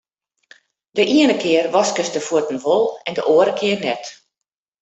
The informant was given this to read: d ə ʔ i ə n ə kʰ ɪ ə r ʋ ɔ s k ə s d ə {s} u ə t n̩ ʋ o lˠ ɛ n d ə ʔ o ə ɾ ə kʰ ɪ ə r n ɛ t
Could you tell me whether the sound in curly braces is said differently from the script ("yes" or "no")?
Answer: yes